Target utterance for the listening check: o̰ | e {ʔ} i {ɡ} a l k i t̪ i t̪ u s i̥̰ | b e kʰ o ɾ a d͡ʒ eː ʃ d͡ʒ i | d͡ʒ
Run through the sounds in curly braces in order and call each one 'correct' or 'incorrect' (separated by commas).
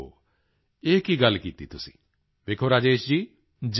incorrect, correct